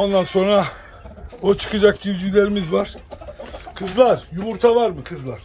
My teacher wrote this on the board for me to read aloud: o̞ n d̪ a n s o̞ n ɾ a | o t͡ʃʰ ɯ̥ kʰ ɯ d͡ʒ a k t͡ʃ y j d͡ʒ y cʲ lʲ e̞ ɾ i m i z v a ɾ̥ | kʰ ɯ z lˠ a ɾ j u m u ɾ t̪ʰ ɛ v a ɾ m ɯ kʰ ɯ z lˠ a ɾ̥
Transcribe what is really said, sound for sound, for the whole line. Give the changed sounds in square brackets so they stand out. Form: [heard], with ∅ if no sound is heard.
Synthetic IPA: o̞ n d̪ a n s o̞ n ɾ a | o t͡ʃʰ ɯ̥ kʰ ɯ d͡ʒ a k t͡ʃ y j d͡ʒ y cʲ lʲ e̞ ɾ i m i z v a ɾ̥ | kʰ ɯ z lˠ a ɾ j u m u ɾ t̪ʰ [a] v a ɾ m ɯ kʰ ɯ z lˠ a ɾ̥